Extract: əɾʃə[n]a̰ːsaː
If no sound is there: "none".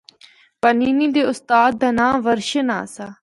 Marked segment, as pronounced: n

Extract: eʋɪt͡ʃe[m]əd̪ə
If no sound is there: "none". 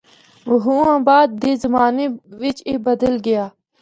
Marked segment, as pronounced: b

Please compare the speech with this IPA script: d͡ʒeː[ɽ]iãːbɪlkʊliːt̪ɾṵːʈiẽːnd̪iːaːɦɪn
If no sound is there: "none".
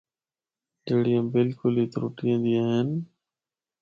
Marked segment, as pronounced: ɽ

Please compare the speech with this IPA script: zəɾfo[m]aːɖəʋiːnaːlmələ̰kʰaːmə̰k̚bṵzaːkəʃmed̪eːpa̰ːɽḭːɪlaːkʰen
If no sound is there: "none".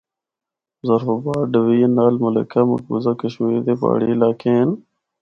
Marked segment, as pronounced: b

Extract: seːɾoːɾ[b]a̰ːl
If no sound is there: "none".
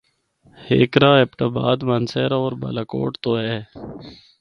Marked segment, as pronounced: b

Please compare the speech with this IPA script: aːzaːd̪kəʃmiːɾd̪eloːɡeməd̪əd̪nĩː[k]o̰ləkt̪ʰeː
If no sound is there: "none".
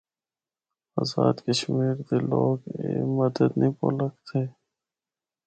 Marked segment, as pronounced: p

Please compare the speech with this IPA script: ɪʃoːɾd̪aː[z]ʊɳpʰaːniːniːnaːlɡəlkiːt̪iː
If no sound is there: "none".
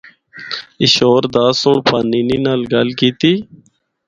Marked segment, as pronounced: s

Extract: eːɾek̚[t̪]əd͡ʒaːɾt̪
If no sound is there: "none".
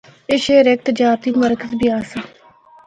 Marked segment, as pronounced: t̪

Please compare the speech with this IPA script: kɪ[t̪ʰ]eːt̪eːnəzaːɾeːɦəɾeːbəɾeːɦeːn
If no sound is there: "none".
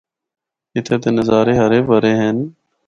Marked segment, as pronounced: t̪ʰ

